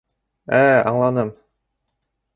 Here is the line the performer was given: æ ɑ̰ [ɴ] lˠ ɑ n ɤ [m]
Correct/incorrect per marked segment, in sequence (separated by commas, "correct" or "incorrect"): correct, correct